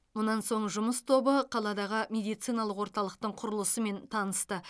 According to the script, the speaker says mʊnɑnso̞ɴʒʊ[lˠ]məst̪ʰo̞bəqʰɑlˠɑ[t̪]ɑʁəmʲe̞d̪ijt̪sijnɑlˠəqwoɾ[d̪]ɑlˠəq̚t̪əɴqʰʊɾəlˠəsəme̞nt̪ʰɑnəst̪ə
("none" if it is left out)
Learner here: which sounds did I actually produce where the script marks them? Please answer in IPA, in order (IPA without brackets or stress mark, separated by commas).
none, d̪, t̪